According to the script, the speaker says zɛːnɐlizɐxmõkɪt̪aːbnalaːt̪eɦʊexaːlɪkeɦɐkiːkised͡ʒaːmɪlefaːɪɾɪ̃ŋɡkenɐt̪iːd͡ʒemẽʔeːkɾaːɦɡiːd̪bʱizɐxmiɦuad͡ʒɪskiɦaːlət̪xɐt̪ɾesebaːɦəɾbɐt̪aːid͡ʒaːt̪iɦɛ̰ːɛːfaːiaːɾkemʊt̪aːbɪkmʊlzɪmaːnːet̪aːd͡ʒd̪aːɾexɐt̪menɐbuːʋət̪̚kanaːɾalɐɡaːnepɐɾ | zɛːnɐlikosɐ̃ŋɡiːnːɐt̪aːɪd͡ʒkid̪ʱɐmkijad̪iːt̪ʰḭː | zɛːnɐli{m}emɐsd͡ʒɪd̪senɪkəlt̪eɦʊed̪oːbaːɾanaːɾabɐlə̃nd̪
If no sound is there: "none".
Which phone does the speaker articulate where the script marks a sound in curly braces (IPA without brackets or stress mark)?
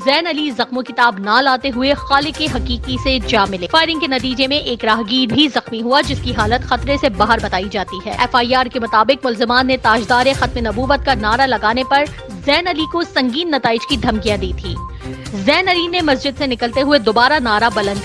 n